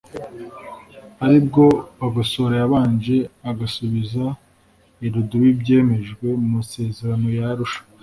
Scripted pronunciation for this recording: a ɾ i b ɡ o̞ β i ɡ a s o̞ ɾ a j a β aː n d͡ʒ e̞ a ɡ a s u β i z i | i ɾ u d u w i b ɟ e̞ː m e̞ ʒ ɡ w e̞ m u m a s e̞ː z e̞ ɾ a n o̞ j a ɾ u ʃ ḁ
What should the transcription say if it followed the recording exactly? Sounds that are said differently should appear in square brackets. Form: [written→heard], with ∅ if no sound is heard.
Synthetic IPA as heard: a ɾ i b ɡ o̞ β [i→a] ɡ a s o̞ ɾ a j a β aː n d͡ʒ e̞ a ɡ a s u β i z [i→a] | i ɾ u d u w i b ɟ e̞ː m e̞ ʒ ɡ w e̞ m u m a s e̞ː z e̞ ɾ a n o̞ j a ɾ u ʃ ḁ